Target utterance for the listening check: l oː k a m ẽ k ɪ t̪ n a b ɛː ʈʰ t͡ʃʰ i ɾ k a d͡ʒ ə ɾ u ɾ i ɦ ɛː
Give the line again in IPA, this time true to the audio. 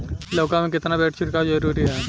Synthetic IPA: l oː k a m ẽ k ɪ t̪ n a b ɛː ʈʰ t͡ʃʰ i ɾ k a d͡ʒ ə ɾ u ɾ i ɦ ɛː